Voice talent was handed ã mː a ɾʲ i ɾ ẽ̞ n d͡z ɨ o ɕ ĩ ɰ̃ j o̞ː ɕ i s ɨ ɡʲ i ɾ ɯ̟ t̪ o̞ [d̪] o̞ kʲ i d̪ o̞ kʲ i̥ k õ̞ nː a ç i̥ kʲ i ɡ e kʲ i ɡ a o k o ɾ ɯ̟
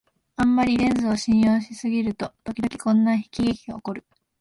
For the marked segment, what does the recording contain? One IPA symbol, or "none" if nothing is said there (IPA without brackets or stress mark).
t̪